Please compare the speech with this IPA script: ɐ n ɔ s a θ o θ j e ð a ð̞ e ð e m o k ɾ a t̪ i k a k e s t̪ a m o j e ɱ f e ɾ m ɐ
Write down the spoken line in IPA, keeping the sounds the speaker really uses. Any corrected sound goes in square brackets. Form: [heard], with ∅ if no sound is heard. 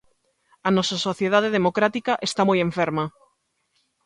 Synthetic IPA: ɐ n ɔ s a [s] o θ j e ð a ð̞ e ð e m o k ɾ a t̪ i k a [ʔ] e s t̪ a m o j e ɱ f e ɾ m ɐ